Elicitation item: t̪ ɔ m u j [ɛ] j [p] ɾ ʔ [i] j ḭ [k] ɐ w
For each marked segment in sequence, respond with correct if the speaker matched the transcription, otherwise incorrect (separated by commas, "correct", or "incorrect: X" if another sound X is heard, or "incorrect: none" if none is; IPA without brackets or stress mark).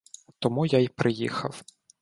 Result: incorrect: a, correct, incorrect: ɪ, incorrect: x